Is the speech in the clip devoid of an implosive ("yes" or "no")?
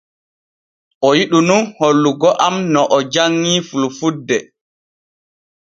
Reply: no